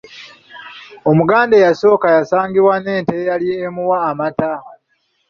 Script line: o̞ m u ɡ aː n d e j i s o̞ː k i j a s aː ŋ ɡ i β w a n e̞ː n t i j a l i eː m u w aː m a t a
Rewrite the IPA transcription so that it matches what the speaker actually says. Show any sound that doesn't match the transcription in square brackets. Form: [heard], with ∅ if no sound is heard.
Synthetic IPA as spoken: o̞ m u ɡ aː n d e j [a] s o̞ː k [a] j a s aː ŋ ɡ i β w a n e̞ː n t [e] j a l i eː m u w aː m a t a